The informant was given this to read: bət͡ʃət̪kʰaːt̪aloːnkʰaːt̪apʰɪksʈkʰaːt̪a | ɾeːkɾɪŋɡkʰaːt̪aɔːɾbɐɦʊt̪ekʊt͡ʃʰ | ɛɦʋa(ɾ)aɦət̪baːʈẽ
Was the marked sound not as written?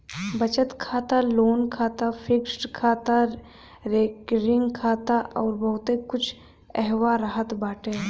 no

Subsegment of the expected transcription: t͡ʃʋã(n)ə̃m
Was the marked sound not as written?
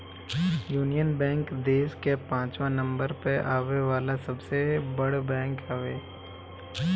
no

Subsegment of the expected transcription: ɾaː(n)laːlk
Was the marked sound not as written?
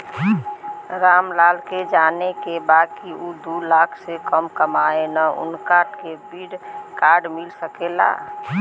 yes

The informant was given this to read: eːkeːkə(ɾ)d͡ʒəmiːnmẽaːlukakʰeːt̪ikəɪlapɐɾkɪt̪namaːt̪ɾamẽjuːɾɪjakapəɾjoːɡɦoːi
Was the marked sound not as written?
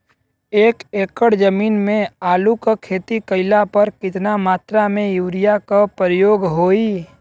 yes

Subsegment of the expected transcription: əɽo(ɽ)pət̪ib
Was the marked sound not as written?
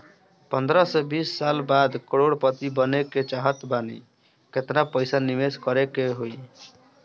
no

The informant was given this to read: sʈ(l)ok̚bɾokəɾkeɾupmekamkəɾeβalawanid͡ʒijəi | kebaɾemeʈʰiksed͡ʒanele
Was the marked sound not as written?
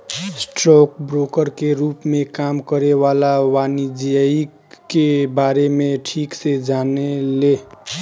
yes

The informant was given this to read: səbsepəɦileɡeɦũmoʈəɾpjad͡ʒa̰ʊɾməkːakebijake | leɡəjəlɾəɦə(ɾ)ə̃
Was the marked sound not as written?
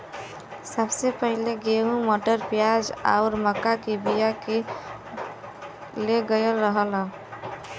yes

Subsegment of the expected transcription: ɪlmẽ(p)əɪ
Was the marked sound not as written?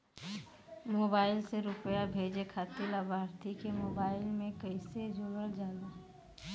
yes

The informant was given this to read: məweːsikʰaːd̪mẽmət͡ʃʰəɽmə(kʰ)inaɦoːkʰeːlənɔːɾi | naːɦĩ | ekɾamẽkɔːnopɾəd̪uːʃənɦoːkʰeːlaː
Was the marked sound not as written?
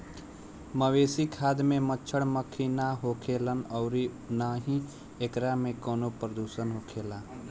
no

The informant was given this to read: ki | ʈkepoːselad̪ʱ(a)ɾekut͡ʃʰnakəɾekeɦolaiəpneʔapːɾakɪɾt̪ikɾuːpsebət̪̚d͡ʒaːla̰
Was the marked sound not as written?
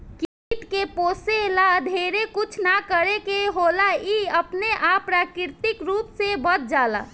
yes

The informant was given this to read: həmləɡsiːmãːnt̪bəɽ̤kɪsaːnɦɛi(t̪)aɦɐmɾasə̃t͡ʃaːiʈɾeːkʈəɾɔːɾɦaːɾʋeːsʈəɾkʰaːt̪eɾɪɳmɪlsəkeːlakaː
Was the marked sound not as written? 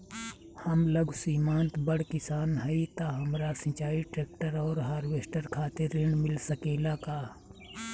no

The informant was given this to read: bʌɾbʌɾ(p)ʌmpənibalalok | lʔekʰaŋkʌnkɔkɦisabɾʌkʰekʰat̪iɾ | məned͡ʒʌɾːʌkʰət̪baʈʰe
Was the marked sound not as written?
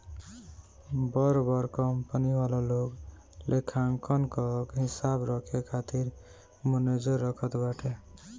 yes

